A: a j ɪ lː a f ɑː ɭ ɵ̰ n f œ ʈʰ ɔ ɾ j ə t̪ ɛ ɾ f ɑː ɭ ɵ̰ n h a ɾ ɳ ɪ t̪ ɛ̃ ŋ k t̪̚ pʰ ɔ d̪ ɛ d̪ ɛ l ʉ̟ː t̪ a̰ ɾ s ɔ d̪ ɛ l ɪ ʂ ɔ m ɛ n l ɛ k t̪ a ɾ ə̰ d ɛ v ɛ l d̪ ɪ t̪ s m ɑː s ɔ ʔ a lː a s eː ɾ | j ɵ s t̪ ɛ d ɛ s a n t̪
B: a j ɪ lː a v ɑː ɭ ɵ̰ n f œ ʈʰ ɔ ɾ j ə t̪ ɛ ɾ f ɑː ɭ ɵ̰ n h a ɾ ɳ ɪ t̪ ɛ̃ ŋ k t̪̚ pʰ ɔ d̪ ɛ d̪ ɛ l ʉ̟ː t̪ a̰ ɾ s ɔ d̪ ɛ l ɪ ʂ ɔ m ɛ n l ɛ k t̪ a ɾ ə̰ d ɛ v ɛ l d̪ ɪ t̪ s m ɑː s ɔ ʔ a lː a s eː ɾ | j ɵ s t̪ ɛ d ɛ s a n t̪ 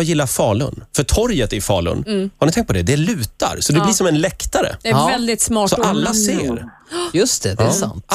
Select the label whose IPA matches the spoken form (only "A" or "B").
A